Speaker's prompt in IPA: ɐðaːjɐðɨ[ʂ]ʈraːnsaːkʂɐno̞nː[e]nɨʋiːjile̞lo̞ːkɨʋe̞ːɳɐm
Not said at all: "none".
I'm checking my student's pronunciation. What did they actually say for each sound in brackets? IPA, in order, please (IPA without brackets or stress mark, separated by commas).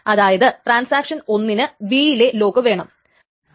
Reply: none, i